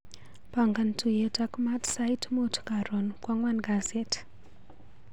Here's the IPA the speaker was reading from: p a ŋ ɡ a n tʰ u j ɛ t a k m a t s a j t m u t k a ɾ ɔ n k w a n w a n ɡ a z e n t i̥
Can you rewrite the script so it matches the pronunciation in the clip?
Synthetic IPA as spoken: p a ŋ ɡ a n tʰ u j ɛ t a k m a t s a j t m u t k a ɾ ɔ n k w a ŋ w a n ɡ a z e t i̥